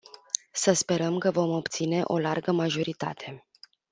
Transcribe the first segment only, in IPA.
s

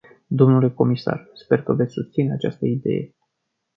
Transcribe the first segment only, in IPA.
d̪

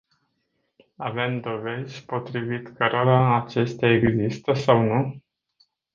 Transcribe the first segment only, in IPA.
a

